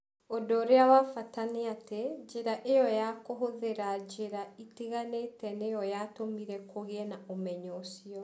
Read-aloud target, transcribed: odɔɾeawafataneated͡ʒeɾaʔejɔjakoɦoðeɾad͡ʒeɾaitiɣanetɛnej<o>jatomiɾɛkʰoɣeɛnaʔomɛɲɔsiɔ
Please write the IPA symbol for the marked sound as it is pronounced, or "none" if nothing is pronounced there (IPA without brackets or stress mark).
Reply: ɔ